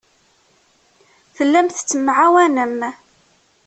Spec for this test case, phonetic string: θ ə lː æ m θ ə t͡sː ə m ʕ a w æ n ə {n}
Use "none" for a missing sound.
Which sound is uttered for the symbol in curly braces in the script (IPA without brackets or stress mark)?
m